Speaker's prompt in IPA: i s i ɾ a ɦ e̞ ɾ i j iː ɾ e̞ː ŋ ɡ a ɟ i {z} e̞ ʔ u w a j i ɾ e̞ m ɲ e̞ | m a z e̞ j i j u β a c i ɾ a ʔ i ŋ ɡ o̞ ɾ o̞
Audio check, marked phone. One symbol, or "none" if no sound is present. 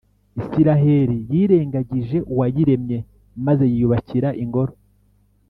ʒ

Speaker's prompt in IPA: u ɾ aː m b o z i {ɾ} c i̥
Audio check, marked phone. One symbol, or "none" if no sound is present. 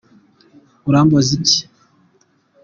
none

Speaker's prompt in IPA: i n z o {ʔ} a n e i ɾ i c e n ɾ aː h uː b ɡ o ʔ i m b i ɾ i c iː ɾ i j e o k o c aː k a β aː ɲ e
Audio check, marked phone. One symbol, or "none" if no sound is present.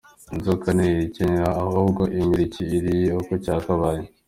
k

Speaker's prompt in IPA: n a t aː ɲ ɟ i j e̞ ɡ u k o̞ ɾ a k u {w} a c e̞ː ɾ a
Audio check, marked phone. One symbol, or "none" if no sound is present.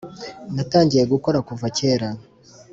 v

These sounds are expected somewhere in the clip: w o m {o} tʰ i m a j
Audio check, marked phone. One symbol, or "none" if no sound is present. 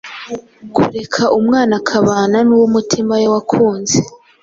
u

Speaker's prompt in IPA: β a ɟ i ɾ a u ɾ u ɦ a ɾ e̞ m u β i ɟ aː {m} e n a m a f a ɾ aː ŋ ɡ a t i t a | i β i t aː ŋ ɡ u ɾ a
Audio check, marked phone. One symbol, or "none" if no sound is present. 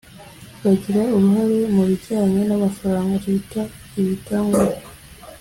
ɲ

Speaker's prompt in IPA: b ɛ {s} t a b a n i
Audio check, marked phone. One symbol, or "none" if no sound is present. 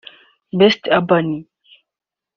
s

